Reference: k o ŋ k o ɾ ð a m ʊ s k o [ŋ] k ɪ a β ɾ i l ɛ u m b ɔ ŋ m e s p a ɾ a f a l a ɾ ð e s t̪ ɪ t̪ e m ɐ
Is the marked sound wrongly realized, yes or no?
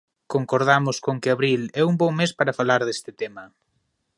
no